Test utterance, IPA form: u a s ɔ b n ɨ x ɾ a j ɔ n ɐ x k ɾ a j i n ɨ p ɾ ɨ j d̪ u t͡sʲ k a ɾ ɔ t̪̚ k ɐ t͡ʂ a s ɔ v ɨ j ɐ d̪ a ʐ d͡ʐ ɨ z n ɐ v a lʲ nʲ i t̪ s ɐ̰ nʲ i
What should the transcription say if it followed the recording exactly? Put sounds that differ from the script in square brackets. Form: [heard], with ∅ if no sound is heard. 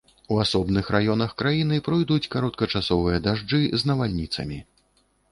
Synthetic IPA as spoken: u a s ɔ b n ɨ x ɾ a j ɔ n ɐ x k ɾ a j i n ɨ p ɾ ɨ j d̪ u t͡sʲ k a ɾ ɔ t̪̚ k ɐ t͡ʂ a s ɔ v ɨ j ɐ d̪ a ʐ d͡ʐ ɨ z n ɐ v a lʲ nʲ i t̪ s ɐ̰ [mʲ] i